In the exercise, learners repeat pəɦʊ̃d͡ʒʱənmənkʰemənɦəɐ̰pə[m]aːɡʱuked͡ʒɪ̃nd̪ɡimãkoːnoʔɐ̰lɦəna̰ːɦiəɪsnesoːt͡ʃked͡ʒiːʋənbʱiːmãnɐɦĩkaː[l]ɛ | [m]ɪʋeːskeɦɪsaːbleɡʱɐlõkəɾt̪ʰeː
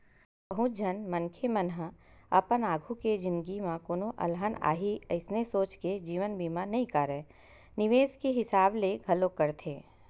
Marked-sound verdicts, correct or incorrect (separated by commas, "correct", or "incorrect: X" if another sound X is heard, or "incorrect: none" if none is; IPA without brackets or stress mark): incorrect: n, incorrect: ɾ, incorrect: n